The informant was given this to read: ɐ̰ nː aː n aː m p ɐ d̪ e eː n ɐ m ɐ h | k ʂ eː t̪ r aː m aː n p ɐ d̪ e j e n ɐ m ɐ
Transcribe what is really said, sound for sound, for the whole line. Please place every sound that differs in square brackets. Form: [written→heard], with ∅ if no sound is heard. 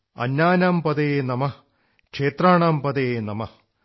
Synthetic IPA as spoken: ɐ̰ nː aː n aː m p ɐ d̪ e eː n ɐ m ɐ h | k ʂ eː t̪ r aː [m→ɳ] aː [n→m] p ɐ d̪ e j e n ɐ m ɐ